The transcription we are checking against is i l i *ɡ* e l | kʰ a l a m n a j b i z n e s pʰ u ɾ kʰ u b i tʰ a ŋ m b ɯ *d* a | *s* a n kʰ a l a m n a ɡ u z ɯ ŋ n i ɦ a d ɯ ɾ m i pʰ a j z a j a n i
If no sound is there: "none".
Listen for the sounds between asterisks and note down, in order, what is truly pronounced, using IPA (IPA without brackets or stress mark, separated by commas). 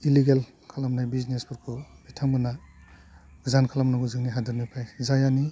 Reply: ɡ, n, z